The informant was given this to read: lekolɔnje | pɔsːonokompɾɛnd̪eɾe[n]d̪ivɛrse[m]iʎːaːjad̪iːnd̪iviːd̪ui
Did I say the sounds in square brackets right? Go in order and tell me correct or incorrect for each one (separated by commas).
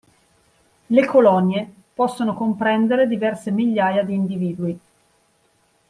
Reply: incorrect, correct